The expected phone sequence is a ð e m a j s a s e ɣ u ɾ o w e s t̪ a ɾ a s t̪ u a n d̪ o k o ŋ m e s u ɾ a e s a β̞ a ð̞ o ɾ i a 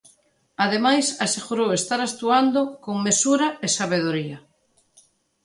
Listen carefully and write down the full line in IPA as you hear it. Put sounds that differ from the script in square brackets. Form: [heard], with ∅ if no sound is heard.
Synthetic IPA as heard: a ð e m a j s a s e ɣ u ɾ o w e s t̪ a ɾ a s t̪ u a n d̪ o k o ŋ m e s u ɾ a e s a β̞ [e] ð̞ o ɾ i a